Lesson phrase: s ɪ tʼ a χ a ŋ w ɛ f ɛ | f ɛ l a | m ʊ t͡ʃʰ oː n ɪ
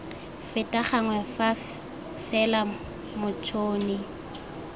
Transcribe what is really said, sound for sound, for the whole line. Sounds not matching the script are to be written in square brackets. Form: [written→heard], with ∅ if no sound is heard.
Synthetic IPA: [s→f] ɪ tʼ a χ a ŋ w ɛ f [ɛ→a] | f ɛ l a | m ʊ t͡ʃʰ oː n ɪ